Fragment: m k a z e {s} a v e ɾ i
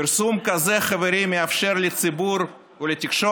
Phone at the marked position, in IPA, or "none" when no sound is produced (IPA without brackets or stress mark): χ